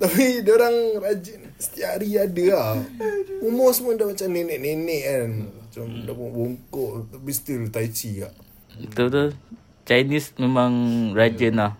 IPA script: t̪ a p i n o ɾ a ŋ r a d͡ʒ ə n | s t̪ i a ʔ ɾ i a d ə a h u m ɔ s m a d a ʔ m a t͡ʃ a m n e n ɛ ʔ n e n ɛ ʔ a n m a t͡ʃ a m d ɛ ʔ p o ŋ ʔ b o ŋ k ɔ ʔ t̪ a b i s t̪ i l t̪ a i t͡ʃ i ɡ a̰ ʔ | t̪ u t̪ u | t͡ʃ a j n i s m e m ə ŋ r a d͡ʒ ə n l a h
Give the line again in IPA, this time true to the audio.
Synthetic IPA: t̪ a p i d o ɾ a ŋ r a d͡ʒ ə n | s t̪ i a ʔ ɾ i a d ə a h u m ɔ s m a d a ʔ m a t͡ʃ a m n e n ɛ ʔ n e n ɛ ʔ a n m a t͡ʃ a m d a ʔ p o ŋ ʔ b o ŋ k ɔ ʔ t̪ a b i s t̪ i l t̪ a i t͡ʃ i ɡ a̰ ʔ | t̪ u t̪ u | t͡ʃ a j n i s m e m a ŋ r a d͡ʒ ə n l a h